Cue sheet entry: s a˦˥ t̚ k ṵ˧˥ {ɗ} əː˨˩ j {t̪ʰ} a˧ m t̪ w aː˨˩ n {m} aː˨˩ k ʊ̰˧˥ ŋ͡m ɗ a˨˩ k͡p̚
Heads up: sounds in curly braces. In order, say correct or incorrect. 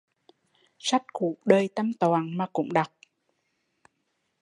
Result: correct, incorrect: t̪, correct

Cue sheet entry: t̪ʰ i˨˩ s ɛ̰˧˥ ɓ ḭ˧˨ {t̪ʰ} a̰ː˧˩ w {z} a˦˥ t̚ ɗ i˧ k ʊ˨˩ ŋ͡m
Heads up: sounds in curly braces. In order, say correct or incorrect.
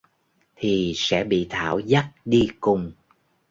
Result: correct, correct

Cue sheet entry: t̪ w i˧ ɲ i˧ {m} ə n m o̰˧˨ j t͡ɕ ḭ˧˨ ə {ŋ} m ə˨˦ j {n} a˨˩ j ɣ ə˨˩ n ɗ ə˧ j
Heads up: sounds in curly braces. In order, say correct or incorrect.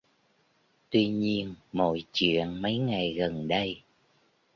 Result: incorrect: none, incorrect: n, incorrect: ŋ

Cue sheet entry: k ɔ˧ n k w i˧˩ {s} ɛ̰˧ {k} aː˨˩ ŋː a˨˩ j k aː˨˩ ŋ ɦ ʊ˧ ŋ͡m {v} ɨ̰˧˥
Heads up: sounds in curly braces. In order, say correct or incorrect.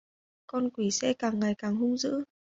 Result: correct, correct, incorrect: z

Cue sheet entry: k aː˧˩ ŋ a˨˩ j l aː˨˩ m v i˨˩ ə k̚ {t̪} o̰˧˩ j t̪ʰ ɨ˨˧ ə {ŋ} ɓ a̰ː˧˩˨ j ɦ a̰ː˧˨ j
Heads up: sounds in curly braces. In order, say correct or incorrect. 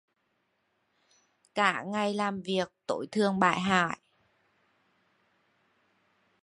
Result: correct, correct

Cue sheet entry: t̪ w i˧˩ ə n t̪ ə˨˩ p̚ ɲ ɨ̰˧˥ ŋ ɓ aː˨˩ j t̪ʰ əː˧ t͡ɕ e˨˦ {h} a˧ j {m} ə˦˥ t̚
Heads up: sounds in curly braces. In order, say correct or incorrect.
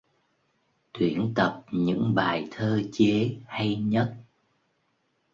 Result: correct, incorrect: ɲ

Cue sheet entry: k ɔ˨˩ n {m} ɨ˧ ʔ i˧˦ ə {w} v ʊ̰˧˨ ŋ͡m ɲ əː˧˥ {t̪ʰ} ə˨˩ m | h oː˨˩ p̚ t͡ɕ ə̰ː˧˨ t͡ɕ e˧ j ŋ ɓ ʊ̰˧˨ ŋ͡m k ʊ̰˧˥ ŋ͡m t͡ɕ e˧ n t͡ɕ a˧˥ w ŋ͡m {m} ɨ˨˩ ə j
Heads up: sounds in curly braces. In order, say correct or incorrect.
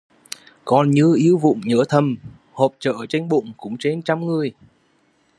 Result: incorrect: ɲ, correct, correct, incorrect: ŋ

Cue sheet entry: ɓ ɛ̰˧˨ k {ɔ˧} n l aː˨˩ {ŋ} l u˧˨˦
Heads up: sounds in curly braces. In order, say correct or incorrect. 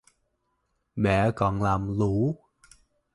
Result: incorrect: ɔ˨˩, incorrect: m

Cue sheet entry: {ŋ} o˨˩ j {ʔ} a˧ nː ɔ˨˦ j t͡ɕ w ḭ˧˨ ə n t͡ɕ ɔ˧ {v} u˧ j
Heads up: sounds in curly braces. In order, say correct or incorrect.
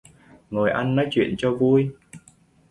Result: correct, correct, correct

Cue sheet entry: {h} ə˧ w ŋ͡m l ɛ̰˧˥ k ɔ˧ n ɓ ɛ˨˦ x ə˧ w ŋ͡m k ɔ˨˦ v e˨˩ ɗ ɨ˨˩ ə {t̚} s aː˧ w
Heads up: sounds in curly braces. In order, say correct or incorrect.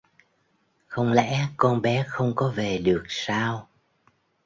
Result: incorrect: x, incorrect: k̚

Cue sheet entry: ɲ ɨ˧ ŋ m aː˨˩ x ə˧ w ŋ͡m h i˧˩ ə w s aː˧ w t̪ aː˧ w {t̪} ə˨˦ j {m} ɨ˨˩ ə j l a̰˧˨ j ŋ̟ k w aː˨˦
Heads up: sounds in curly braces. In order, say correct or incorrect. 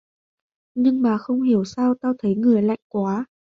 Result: incorrect: t̪ʰ, incorrect: ŋ

